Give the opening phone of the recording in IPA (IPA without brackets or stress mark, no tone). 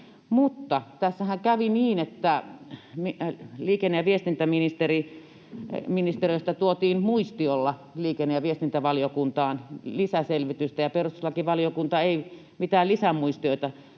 m